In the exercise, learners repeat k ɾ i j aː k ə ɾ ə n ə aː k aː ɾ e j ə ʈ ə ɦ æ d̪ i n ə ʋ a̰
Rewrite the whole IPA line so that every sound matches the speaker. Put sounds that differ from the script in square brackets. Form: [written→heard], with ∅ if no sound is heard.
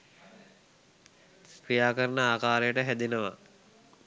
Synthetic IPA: k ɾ i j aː k ə ɾ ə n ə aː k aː ɾ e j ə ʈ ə ɦ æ d̪ i n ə ʋ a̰